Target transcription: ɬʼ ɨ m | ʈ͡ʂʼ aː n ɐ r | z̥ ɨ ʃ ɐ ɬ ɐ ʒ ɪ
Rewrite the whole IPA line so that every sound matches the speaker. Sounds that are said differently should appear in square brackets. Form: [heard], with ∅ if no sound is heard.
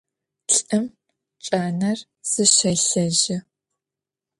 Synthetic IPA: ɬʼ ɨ m | ʈ͡ʂʼ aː n ɐ r | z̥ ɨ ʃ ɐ ɬ ɐ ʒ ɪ